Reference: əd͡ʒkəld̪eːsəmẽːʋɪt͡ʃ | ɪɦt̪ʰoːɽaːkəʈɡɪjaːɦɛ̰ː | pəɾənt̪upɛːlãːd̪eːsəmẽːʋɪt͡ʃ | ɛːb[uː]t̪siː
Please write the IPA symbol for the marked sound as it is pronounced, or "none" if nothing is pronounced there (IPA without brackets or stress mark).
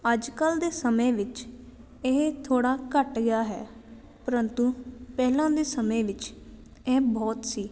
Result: ɔː